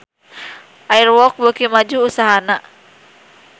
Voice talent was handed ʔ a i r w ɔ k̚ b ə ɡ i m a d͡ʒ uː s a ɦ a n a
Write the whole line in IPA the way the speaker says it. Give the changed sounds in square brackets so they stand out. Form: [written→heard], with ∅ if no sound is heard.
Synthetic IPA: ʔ a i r w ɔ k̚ b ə [ɡ→k] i m a d͡ʒ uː s a ɦ a n a